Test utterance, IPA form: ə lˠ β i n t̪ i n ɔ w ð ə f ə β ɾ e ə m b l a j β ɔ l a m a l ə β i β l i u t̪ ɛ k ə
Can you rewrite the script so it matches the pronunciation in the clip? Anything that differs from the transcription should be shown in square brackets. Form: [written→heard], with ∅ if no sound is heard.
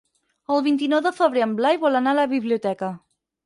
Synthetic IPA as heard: ə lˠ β i n t̪ i n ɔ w ð ə f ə β ɾ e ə m b l a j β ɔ l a [m→n] a l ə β i β l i u t̪ ɛ k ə